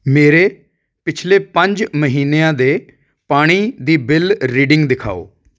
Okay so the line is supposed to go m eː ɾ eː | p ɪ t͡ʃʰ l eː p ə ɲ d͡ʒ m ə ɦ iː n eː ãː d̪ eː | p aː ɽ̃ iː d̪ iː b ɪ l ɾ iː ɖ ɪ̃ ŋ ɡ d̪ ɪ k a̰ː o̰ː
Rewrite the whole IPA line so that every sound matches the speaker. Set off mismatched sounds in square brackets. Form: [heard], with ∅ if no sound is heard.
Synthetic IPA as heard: m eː ɾ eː | p ɪ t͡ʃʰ l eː p ə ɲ d͡ʒ m ə ɦ iː n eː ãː d̪ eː | p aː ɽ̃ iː d̪ iː b ɪ l ɾ iː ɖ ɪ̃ ŋ ɡ d̪ ɪ [kʰ] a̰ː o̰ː